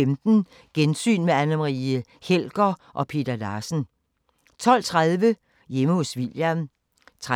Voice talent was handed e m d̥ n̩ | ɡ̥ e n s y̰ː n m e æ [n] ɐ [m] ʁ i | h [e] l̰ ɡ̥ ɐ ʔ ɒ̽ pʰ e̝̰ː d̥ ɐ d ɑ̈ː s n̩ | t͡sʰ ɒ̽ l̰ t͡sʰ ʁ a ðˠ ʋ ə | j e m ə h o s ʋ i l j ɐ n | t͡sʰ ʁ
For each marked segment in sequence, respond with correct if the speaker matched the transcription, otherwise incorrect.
correct, correct, correct

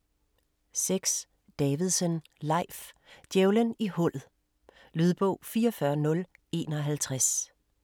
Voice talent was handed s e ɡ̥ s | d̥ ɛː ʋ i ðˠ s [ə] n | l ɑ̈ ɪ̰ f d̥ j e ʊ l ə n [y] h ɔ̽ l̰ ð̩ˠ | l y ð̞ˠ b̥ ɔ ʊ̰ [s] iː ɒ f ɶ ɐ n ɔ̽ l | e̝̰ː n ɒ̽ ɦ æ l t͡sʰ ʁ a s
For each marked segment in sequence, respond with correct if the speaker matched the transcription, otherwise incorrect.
correct, incorrect: i, incorrect: f

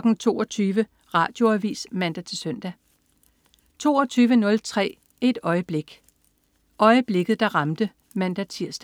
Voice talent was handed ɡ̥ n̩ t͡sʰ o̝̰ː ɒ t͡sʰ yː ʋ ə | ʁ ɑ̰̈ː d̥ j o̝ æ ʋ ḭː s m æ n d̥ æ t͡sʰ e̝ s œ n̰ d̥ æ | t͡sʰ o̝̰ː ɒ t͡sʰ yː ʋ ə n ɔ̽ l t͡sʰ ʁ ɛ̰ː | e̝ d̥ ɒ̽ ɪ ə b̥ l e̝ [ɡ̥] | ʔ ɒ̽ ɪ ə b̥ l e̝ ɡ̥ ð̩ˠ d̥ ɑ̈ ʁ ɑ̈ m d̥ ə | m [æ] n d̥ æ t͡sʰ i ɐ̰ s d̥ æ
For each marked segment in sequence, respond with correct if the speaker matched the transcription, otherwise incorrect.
correct, correct

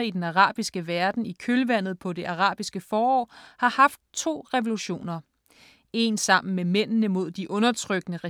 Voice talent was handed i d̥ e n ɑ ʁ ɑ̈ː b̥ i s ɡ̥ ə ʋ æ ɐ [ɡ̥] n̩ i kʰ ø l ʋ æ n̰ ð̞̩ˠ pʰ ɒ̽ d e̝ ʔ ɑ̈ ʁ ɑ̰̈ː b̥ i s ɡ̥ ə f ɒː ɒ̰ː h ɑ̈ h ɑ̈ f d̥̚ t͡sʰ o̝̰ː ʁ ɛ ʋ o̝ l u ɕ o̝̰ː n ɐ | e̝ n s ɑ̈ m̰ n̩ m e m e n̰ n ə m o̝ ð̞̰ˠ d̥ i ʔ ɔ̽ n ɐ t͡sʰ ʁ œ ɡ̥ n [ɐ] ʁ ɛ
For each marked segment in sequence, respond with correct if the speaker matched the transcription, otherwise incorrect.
incorrect: d̥, incorrect: ə

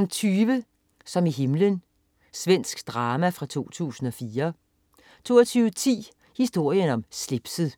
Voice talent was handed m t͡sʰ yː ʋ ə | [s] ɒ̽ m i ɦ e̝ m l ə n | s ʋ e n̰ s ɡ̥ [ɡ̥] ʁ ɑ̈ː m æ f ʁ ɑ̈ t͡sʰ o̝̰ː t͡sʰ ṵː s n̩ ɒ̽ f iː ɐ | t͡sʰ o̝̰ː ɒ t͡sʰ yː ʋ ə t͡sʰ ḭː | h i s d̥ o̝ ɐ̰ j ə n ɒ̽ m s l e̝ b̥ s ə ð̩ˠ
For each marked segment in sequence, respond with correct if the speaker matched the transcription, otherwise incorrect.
correct, incorrect: d̥

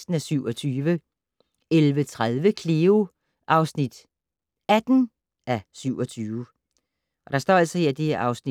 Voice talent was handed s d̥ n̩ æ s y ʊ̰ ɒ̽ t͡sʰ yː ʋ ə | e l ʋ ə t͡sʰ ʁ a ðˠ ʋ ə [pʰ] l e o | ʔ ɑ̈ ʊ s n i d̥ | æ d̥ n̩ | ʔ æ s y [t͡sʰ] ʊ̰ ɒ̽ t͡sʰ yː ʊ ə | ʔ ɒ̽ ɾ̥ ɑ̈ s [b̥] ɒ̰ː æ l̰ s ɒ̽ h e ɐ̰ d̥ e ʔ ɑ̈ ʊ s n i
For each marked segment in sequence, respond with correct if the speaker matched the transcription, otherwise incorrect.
incorrect: kʰ, incorrect: none, incorrect: d̥

